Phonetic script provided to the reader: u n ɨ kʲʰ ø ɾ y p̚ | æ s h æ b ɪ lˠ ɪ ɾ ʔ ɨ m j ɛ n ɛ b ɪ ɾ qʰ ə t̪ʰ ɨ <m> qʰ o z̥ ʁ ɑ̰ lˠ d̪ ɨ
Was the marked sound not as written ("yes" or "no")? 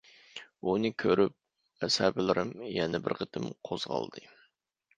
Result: no